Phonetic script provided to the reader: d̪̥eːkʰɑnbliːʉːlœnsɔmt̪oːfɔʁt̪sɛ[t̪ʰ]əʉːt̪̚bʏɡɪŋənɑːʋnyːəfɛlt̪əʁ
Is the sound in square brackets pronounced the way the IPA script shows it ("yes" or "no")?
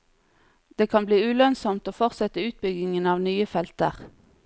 no